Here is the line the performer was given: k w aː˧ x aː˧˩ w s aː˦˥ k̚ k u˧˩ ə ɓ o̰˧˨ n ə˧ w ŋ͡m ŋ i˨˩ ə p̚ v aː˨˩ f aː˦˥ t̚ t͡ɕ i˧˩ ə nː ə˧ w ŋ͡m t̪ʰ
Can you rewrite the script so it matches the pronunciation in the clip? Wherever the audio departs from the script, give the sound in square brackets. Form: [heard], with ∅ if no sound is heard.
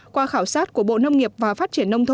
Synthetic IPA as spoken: k w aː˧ x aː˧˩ w s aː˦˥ [t̚] k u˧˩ ə ɓ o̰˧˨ n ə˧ w ŋ͡m ŋ i˨˩ ə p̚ v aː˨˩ f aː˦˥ t̚ t͡ɕ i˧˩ ə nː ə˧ w ŋ͡m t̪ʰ